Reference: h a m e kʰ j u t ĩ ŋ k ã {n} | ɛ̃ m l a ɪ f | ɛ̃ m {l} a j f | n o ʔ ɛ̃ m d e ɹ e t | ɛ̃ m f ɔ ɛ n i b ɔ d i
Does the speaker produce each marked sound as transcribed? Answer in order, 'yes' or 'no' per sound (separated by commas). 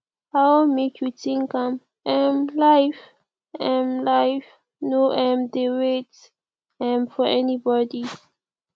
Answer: no, yes